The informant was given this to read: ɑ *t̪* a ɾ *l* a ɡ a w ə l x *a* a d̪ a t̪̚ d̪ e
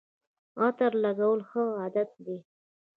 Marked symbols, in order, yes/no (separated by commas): yes, yes, no